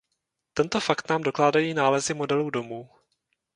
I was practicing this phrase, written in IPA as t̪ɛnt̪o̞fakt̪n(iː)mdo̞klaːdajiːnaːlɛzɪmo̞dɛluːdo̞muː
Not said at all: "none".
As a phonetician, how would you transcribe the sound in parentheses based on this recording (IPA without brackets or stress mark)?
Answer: aː